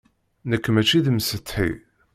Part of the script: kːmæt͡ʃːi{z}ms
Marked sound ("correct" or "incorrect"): incorrect